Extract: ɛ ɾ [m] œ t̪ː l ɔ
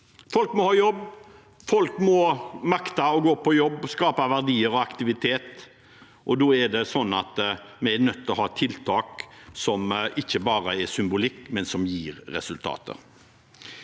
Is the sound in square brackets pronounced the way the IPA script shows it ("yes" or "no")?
no